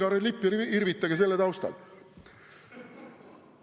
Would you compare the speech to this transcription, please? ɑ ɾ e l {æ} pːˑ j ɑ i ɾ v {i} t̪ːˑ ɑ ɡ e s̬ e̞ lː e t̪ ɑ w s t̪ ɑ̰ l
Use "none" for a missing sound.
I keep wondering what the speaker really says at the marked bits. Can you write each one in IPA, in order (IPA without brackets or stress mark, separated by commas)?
i, i